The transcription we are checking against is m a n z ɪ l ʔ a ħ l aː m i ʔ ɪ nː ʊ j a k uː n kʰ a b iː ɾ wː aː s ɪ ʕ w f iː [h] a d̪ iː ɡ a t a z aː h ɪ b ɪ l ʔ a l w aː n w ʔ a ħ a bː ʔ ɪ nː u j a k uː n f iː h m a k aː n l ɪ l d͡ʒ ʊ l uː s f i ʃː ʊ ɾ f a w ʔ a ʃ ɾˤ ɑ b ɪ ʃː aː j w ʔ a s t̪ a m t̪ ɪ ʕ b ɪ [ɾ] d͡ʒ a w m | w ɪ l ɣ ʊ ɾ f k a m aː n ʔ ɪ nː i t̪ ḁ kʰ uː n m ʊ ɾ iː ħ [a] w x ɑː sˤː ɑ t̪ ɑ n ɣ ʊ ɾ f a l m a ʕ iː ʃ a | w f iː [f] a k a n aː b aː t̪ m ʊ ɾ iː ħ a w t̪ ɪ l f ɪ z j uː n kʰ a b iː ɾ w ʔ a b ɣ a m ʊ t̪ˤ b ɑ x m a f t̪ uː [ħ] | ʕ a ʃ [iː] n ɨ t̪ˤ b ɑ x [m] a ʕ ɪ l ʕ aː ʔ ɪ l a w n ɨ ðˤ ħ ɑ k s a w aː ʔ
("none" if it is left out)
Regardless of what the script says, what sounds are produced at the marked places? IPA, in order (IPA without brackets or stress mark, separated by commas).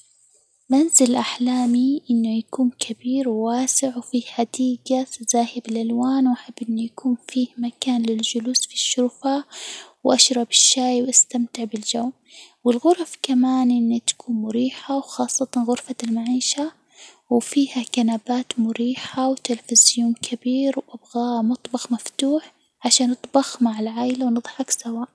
ħ, l, a, h, ħ, aː, m